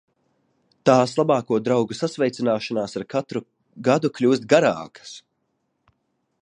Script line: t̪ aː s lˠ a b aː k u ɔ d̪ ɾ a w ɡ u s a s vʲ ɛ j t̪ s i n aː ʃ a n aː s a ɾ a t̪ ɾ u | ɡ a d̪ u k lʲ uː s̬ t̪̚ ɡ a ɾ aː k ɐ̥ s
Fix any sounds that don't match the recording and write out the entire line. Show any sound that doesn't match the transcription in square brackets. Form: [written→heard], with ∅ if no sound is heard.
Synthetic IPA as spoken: t̪ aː s lˠ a b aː k u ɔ d̪ ɾ a w ɡ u s a s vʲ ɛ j t̪ s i n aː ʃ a n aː s a ɾ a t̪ ɾ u | ɡ a d̪ u k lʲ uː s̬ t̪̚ ɡ a ɾ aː k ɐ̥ s